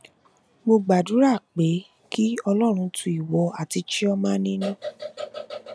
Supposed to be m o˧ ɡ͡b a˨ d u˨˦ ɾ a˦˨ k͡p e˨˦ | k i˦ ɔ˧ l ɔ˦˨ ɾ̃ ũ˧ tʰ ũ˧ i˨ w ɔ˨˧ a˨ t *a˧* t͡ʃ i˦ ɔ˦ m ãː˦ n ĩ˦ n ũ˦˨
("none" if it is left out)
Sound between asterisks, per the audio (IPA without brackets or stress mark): i˧